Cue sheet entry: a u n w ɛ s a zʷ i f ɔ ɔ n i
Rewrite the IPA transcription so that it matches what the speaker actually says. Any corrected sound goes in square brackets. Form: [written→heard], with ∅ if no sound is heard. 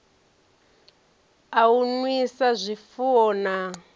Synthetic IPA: a u n w [ɛ→i] s a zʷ i f [ɔ→u] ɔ n [i→a]